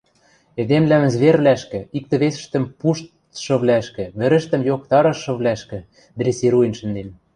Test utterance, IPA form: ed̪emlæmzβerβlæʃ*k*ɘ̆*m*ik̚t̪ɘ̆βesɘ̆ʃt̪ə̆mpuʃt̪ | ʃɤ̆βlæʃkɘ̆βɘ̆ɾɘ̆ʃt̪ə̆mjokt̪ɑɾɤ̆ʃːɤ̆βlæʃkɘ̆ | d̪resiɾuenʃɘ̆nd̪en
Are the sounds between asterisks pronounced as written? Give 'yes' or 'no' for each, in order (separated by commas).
yes, no